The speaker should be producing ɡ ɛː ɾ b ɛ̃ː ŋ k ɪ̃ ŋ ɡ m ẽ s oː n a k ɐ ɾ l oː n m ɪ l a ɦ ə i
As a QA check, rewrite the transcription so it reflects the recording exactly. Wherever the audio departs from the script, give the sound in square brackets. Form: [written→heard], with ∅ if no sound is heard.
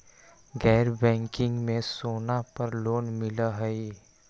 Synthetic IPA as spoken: ɡ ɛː ɾ b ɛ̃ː ŋ k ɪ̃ ŋ ɡ m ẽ s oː n a [k→p] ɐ ɾ l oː n m ɪ l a ɦ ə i